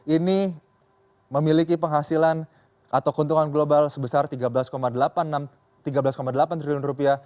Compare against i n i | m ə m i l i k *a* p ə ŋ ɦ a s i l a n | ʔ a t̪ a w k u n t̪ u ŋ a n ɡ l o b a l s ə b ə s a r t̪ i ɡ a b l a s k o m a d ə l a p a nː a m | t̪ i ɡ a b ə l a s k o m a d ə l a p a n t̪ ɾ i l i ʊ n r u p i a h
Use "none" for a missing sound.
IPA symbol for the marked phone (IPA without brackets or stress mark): i